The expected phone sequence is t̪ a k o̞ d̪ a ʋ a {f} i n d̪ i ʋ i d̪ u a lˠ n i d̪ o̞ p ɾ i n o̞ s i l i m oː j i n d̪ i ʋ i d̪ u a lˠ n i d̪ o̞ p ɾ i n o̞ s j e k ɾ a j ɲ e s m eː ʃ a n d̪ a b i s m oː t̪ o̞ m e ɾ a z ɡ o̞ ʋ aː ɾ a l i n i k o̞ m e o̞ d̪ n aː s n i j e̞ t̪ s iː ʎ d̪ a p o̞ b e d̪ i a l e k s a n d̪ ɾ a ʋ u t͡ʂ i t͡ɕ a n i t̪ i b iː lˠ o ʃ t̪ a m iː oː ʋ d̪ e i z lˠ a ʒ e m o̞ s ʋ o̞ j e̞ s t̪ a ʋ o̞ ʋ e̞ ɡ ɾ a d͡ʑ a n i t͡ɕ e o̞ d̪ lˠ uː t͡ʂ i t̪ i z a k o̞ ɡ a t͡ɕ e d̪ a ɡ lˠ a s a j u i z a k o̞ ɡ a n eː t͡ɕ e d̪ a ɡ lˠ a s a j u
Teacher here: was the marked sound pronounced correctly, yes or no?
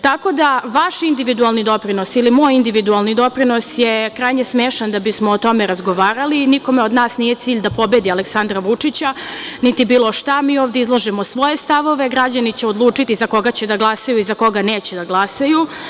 no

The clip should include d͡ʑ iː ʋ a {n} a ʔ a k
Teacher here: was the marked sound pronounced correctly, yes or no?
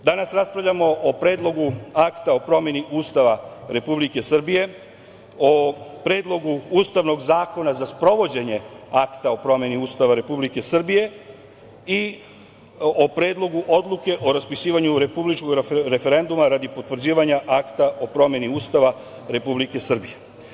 no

